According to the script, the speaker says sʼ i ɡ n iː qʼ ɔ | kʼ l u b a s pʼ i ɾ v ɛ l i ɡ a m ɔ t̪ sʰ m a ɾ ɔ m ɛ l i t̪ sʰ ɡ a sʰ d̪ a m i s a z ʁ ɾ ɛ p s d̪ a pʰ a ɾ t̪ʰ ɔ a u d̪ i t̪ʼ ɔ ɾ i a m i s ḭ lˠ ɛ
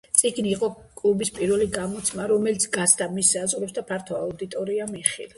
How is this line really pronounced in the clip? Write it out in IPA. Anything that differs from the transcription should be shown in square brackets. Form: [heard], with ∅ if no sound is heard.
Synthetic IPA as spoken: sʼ i ɡ n iː qʼ ɔ | kʼ l u b [i] s pʼ i ɾ v ɛ l i ɡ a m ɔ t̪ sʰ m a ɾ ɔ m ɛ l i t̪ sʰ ɡ a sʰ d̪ a m i s a z ʁ ɾ ɛ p s d̪ a pʰ a ɾ t̪ʰ ɔ a u d̪ i t̪ʼ ɔ ɾ i a m i [χ] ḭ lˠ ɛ